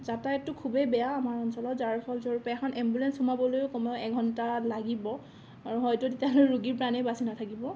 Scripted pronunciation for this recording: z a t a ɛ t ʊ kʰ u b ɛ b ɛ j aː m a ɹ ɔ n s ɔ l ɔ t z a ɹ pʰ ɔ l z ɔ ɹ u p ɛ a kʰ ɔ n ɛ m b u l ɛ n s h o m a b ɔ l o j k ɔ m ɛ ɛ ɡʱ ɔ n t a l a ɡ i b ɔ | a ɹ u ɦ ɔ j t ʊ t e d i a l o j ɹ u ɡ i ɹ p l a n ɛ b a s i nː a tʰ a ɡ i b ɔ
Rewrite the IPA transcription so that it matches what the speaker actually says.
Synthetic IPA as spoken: z a t a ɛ t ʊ kʰ u b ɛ b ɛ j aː m a ɹ ɔ n s ɔ l ɔ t z a ɹ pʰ ɔ l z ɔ ɹ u p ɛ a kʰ ɔ n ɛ m b u l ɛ n s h u m a b ɔ l o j k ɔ m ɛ ɛ ɡʱ ɔ n t a l a ɡ i b ɔ | a ɹ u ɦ ɔ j t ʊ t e t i a l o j ɹ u ɡ i ɹ p ɹ a n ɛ b a s i n a tʰ a k i b ɔ